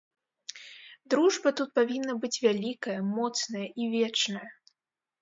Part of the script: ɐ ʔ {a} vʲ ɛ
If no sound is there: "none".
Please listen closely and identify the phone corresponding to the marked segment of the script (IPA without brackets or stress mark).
i